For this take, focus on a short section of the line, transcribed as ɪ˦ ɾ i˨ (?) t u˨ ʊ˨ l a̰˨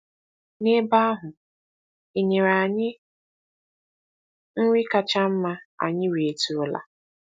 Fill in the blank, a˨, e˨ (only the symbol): e˨